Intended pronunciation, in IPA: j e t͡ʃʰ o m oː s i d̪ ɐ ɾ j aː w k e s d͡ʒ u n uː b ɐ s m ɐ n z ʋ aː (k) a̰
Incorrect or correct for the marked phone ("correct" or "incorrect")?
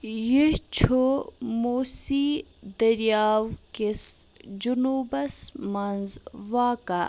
correct